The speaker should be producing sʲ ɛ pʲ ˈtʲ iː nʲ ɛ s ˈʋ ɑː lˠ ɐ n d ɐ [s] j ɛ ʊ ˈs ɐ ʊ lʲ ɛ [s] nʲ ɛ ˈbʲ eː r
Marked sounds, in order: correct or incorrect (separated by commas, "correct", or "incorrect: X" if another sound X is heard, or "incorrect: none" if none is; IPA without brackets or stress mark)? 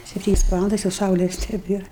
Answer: correct, correct